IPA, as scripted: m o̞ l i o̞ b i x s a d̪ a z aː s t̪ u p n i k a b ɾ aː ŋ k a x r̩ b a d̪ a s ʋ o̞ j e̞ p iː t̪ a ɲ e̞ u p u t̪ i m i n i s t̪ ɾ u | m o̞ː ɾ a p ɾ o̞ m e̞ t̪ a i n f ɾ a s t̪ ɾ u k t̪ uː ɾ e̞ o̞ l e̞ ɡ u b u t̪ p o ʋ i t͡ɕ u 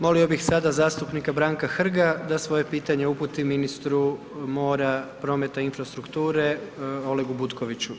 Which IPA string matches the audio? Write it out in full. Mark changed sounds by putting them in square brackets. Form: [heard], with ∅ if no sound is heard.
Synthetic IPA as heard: m o̞ l i o̞ b i x s a d̪ a z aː s t̪ u p n i k a b ɾ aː ŋ k a x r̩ [ɡ] a d̪ a s ʋ o̞ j e̞ p iː t̪ a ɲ e̞ u p u t̪ i m i n i s t̪ ɾ u | m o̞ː ɾ a p ɾ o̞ m e̞ t̪ a i n f ɾ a s t̪ ɾ u k t̪ uː ɾ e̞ o̞ l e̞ ɡ u b u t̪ [k] o ʋ i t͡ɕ u